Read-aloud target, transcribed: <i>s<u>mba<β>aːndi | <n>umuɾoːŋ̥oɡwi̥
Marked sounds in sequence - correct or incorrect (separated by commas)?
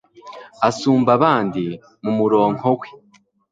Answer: incorrect, incorrect, correct, incorrect